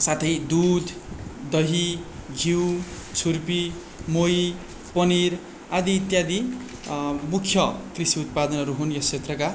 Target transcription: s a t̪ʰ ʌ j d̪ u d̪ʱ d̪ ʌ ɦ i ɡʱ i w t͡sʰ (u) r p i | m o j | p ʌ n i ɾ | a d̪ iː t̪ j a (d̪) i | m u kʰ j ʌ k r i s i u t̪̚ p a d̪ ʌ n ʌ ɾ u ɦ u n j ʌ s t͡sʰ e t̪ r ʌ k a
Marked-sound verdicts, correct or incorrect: correct, correct

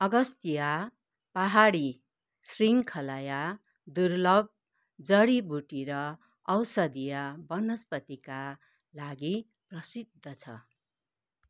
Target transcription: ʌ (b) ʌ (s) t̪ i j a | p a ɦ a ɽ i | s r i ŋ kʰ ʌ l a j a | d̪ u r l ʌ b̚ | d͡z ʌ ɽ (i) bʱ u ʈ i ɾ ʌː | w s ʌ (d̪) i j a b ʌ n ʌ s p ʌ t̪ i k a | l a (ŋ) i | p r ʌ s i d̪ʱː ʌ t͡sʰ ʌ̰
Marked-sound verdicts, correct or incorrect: incorrect: ɡ, correct, correct, correct, incorrect: ɡ

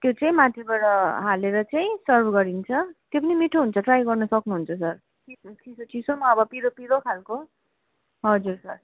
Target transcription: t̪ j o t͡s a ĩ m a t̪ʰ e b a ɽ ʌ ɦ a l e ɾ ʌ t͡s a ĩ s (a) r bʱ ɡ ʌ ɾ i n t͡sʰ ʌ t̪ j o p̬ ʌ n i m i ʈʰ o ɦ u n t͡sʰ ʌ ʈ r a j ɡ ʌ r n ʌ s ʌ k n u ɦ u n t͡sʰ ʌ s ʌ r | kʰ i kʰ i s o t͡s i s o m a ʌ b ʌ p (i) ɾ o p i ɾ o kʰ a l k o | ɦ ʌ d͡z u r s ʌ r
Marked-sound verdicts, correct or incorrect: incorrect: ʌ, correct

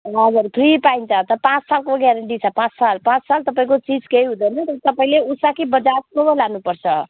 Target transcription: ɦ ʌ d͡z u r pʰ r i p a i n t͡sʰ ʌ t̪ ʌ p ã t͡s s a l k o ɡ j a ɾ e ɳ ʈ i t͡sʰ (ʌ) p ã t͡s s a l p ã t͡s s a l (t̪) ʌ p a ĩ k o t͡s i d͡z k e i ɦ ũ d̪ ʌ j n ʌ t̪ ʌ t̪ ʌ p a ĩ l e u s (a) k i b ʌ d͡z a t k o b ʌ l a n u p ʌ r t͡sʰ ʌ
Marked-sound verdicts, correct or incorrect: correct, correct, correct

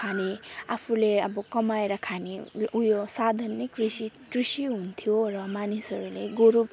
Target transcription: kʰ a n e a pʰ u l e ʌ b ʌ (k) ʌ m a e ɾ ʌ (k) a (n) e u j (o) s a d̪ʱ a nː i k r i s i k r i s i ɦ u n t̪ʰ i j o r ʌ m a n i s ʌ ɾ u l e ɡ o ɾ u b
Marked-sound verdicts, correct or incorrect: correct, incorrect: kʰ, correct, correct

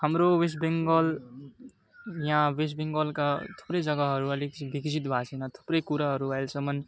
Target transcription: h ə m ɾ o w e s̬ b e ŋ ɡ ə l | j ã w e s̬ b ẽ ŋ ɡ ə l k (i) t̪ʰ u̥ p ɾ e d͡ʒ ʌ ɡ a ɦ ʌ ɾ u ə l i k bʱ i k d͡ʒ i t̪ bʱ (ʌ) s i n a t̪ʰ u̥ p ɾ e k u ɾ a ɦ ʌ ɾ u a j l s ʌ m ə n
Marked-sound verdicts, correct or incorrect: incorrect: a, incorrect: a

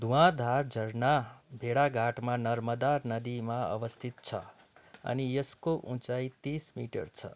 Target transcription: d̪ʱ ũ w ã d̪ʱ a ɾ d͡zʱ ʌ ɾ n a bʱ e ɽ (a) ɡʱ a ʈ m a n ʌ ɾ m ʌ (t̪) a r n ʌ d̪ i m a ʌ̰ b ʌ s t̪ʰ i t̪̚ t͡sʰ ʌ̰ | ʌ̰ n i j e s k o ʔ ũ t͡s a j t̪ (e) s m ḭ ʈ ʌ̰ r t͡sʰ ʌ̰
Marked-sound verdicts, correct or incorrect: correct, incorrect: d̪, incorrect: i

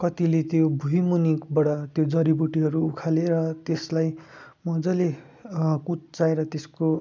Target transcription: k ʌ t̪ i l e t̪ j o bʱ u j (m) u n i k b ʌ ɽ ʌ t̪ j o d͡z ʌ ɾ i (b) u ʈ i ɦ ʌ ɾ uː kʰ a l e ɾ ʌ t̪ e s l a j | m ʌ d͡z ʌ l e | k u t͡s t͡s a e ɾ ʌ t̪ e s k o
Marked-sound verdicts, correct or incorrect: correct, correct

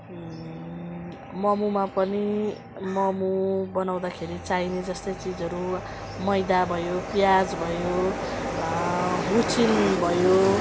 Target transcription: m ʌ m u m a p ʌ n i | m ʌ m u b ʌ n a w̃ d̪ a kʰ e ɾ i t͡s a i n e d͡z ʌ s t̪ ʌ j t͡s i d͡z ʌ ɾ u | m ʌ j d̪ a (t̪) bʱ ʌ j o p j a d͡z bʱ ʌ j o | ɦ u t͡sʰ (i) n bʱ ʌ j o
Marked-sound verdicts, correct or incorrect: incorrect: none, correct

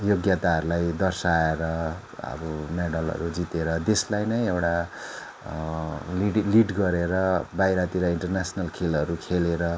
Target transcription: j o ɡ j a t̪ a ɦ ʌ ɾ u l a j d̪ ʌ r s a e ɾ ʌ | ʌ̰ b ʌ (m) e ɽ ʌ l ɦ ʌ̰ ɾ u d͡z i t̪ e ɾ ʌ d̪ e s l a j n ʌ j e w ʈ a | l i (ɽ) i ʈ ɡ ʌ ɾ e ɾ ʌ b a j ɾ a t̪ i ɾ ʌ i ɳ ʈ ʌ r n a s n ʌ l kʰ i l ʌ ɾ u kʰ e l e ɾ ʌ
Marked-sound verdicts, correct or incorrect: correct, incorrect: l

